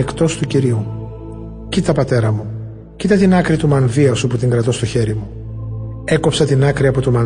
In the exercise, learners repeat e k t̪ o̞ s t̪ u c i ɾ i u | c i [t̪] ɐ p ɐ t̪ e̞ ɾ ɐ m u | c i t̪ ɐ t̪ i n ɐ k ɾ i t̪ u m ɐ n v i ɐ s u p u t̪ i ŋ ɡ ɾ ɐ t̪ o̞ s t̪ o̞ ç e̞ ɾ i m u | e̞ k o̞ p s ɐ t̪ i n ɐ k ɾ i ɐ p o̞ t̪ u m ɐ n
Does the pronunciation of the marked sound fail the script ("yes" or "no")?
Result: no